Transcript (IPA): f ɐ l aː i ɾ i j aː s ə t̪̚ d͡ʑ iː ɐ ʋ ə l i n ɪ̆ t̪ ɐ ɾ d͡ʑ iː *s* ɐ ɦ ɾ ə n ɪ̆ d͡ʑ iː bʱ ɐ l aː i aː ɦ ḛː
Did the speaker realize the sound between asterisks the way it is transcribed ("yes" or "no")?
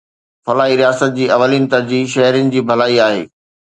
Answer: no